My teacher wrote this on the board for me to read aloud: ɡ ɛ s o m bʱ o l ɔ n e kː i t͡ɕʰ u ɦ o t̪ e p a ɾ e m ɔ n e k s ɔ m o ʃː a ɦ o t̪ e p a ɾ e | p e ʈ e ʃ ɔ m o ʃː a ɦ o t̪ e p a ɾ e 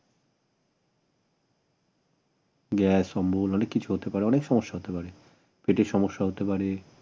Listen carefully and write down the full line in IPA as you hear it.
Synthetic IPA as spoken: ɡ ɛ s ɔ m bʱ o l ɔ n e kː i t͡ɕʰ u ɦ o t̪ e p a ɾ e ɔ n e k ʃ ɔ m o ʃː a ɦ o t̪ e p a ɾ e | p e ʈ e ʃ ɔ m o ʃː a ɦ o t̪ e p a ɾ e